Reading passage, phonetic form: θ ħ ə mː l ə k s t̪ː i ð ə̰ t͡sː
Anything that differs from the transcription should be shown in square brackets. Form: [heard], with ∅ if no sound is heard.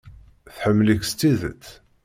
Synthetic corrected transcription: θ ħ ə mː l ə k s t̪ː i ð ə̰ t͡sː